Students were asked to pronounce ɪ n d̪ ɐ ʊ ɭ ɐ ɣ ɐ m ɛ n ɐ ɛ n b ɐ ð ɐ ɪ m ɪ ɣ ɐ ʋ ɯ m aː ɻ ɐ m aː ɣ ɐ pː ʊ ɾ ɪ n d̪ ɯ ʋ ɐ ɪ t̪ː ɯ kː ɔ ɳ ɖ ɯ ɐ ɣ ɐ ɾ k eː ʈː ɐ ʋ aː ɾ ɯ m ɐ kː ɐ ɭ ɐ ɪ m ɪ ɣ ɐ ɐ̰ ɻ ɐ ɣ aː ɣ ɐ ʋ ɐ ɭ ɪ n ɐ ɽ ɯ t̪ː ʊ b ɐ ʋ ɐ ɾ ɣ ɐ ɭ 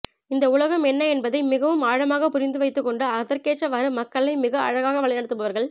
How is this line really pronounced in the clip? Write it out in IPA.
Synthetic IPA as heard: ɪ n d̪ ɐ ʊ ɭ ɐ ɣ ɐ m ɛ nː ɐ ɛ n b ɐ ð ɐ ɪ m ɪ ɣ ɐ ʋ ɯ m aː ɻ ɐ m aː ɣ ɐ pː ʊ ɾ ɪ n d̪ ɯ ʋ ɐ ɪ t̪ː ɯ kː ɔ ɳ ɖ ɯ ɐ ð ɐ ɾ k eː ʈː ɐ ʋ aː ɾ ɯ m ɐ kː ɐ ɭ ɐ ɪ m ɪ ɣ ɐ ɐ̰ ɻ ɐ ɣ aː ɣ ɐ ʋ ɐ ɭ ɪ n ɐ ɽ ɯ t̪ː ɯ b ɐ ʋ ɐ ɾ ɣ ɐ ɭ